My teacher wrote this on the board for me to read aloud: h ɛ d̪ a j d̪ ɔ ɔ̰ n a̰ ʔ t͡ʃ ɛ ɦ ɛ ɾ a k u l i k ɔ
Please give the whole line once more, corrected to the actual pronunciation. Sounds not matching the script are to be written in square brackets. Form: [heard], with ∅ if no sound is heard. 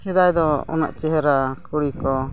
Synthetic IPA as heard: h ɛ d̪ a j d̪ ɔ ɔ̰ n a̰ ʔ t͡ʃ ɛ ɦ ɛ ɾ a k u [ɽ] i k ɔ